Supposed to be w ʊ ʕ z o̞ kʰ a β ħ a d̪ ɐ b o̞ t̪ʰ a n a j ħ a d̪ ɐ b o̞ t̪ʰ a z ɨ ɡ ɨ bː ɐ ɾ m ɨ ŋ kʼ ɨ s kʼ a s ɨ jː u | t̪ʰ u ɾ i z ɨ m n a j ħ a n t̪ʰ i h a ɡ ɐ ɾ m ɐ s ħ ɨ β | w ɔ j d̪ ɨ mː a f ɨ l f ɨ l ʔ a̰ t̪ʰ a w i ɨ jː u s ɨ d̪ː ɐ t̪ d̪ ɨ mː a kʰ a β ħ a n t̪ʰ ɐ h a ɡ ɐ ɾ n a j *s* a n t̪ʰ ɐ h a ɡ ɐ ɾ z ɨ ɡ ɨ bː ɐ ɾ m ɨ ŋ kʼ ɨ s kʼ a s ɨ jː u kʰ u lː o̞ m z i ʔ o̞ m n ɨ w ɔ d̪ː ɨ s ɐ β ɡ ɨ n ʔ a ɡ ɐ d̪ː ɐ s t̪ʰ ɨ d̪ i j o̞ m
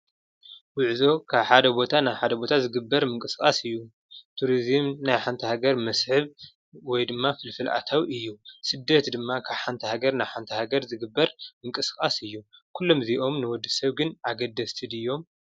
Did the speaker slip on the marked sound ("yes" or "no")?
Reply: yes